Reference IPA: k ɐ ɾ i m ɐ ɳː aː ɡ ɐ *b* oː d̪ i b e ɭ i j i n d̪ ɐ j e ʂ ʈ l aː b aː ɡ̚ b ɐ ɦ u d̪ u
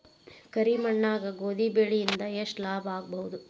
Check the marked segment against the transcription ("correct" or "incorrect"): incorrect